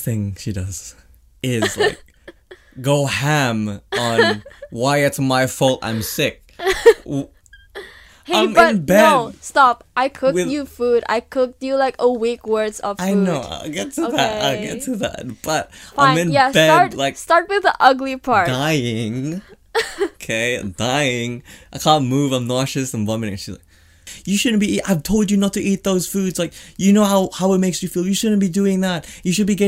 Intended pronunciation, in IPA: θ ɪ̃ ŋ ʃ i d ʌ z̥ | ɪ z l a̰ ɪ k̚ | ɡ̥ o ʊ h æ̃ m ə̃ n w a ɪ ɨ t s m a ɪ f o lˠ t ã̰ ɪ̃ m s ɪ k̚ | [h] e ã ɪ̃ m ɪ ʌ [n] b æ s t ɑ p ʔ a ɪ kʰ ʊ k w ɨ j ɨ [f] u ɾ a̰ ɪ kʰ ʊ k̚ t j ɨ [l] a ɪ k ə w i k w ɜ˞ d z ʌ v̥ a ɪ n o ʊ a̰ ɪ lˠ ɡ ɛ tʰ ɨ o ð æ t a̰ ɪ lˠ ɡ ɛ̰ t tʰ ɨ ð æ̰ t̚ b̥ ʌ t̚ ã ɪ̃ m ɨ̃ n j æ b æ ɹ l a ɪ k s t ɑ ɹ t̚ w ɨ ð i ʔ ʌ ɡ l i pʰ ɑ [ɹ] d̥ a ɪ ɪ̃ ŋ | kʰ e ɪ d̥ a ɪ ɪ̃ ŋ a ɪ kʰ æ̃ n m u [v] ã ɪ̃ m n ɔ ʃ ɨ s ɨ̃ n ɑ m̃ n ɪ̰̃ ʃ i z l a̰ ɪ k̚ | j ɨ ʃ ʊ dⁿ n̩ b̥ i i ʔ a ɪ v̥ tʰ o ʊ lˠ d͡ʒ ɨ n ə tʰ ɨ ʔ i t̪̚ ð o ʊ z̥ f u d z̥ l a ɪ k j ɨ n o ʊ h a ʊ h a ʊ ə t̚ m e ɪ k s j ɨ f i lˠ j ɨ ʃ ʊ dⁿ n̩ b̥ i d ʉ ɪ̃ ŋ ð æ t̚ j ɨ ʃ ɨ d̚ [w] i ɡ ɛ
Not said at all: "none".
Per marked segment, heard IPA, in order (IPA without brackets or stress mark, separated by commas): h, n, f, l, ɹ, v, b